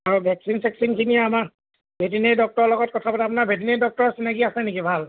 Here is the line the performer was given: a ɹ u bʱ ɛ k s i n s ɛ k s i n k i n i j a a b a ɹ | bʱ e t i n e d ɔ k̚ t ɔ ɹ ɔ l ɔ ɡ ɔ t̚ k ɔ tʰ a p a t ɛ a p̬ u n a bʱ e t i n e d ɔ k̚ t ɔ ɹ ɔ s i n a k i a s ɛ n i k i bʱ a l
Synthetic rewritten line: a ɹ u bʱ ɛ k s i n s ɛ k s i n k i n i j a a m a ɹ | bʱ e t i n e d ɔ k̚ t ɔ ɹ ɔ l ɔ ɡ ɔ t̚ k ɔ tʰ a p a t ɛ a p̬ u n a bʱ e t i n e d ɔ k̚ t ɔ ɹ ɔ s i n a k i a s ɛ n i k i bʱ a l

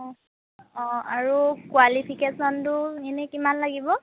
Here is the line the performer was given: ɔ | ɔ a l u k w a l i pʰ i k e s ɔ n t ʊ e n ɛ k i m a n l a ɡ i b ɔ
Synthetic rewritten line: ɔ | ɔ a ɹ u k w a l i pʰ i k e s ɔ n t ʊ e n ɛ k i m a n l a ɡ i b ɔ

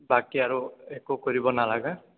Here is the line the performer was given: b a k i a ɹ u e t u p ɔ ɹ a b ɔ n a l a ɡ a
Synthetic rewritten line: b a k i a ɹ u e k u k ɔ ɹ i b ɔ n a l a ɡ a

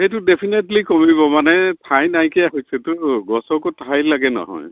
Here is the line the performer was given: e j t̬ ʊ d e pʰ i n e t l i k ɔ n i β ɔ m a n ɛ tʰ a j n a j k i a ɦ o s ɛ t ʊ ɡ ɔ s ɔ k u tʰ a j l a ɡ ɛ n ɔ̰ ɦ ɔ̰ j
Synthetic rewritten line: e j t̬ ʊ d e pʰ i n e t l i k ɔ m i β ɔ m a n ɛ tʰ a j n a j k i a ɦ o s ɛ t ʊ ɡ ɔ s ɔ k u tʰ a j l a ɡ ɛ n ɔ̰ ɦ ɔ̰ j

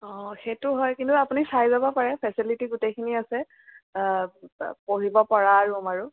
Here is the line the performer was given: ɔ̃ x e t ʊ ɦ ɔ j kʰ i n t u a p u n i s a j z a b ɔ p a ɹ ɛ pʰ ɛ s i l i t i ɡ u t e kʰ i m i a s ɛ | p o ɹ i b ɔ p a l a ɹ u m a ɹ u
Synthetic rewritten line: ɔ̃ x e t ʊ ɦ ɔ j k i n t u a p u n i s a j z a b ɔ p a ɹ ɛ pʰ ɛ s i l i t i ɡ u t e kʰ i n i a s ɛ | p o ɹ i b ɔ p a ɹ a ɹ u m a ɹ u

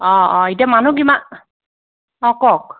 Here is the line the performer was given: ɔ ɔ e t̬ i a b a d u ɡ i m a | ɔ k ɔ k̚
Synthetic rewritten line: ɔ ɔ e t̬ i a m a n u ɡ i m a | ɔ k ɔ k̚

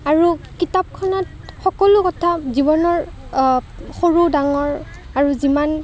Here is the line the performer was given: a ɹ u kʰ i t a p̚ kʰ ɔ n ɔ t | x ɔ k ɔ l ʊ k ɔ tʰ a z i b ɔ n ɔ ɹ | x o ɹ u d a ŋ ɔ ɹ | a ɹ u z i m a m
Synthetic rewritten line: a ɹ u k i t a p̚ kʰ ɔ n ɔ t | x ɔ k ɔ l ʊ k ɔ tʰ a z i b ɔ n ɔ ɹ | x o ɹ u d a ŋ ɔ ɹ | a ɹ u z i m a n

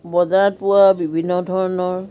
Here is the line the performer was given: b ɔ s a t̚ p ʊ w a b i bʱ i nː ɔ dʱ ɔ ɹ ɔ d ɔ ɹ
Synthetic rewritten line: b ɔ z a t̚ p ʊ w a b i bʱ i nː ɔ dʱ ɔ ɹ ɔ n ɔ ɹ

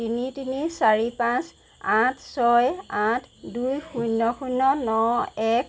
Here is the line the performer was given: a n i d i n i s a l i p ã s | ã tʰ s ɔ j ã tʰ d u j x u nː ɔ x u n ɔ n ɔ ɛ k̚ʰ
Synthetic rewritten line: i n i t i n i s a ɹ i p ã s | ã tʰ s ɔ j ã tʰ d u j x u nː ɔ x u n ɔ n ɔ ɛ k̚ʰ

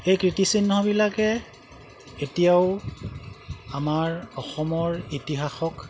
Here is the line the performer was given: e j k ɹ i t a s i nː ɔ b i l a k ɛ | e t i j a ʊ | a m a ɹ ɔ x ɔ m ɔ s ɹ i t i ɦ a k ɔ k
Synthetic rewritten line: e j k ɹ i t i s i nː ɔ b i l a k ɛ | e t i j a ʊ | a m a ɹ ɔ x ɔ m ɔ ɹ i t i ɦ a x ɔ k

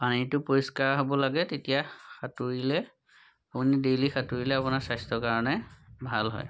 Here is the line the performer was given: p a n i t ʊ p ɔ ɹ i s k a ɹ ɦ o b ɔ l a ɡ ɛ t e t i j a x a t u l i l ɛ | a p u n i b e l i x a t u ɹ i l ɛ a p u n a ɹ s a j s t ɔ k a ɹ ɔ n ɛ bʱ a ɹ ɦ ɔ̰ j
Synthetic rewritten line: p a n i t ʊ p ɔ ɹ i s k a ɹ ɦ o b ɔ l a ɡ ɛ t e t i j a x a t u ɹ i l ɛ | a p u n i d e l i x a t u ɹ i l ɛ a p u n a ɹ s a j s t ɔ k a ɹ ɔ n ɛ bʱ a l ɦ ɔ̰ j

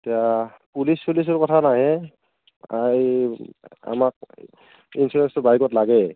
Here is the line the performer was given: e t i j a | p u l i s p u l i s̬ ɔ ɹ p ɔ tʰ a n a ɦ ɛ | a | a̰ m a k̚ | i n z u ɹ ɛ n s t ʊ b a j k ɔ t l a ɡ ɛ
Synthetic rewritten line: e t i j a | p u l i s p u l i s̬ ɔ ɹ k ɔ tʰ a n a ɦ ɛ | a | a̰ m a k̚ | i n s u ɹ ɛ n s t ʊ b a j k ɔ t l a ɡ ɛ

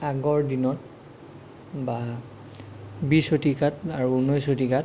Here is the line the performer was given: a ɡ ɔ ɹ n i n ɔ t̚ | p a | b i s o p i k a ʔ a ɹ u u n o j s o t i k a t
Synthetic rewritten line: a ɡ ɔ ɹ d i n ɔ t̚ | b a | b i s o t i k a t a ɹ u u n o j s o t i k a t

